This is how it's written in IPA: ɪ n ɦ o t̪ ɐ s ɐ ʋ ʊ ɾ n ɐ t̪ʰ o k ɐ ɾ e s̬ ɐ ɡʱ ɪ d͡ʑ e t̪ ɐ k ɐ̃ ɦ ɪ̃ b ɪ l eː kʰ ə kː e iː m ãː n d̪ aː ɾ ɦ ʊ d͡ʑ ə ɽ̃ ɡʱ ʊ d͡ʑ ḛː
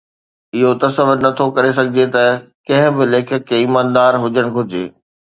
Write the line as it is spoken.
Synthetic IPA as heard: ɪ ɦ o t̪ ɐ s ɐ ʋ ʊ ɾ n ɐ t̪ʰ o k ɐ ɾ e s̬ ɐ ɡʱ ɪ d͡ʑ e t̪ ɐ k ɐ̃ ɦ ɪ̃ b ɪ l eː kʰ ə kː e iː m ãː n d̪ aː ɾ ɦ ʊ d͡ʑ ə ɽ̃ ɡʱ ʊ d͡ʑ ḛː